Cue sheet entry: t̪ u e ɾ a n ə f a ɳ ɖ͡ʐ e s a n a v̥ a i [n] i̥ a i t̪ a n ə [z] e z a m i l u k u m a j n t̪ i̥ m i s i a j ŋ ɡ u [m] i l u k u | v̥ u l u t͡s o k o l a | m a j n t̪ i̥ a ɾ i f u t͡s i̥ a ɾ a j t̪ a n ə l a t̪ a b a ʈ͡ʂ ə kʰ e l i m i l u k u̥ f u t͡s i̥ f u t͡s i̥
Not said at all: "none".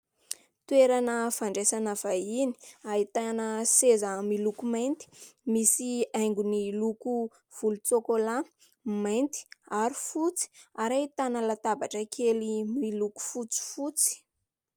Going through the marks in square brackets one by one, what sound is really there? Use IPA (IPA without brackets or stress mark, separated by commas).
n, s, n